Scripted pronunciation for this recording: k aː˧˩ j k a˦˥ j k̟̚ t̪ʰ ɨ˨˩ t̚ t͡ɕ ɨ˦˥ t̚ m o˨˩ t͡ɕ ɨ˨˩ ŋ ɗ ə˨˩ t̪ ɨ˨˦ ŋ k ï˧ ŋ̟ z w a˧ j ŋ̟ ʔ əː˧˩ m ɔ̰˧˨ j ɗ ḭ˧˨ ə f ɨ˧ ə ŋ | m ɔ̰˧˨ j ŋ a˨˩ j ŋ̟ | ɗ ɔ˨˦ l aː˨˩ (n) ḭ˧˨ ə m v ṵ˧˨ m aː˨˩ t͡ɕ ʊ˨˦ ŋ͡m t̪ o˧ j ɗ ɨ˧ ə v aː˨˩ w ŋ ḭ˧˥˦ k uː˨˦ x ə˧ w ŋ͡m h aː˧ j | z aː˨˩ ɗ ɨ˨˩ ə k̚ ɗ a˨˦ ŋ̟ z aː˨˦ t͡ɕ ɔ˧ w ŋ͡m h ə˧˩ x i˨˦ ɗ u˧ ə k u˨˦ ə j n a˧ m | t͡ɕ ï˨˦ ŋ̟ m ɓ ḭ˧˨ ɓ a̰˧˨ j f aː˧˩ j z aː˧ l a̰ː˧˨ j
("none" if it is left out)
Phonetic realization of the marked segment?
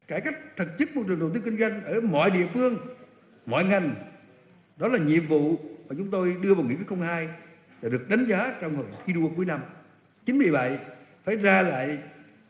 ɲ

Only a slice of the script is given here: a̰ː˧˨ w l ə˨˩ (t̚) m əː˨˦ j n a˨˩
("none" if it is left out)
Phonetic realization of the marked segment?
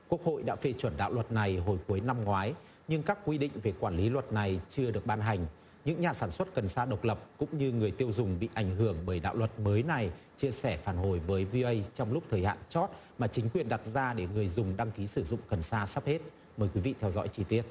t̚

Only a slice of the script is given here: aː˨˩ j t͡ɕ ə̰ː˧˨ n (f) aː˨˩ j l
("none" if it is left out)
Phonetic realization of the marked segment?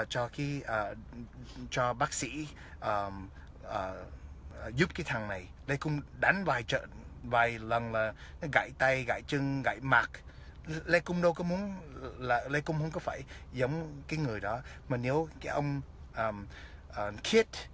v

